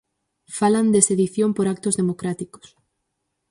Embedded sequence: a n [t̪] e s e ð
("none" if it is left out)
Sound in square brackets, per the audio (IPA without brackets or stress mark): d̪